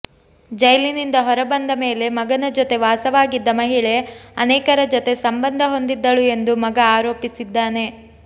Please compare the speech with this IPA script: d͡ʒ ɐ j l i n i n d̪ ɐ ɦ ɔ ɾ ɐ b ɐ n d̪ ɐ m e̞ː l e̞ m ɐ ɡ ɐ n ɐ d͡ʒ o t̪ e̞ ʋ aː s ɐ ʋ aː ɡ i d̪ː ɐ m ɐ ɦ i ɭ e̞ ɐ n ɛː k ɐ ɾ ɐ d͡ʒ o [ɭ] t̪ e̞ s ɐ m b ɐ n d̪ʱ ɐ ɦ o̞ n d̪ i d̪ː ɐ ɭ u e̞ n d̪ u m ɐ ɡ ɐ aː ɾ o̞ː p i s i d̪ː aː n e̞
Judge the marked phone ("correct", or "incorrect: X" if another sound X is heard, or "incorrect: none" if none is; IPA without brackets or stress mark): incorrect: none